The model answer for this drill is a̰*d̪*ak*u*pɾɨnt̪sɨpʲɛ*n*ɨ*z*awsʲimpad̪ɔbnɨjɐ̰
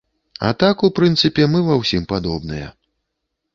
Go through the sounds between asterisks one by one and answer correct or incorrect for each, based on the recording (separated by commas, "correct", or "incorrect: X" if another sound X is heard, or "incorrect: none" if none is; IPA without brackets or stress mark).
incorrect: t̪, correct, incorrect: m, incorrect: v